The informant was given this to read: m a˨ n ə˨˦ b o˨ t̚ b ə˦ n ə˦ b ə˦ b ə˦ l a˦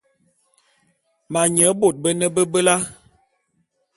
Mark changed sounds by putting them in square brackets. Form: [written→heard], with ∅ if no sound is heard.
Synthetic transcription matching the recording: m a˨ [n→ɲ] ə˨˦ b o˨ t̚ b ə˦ n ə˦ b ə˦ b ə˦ l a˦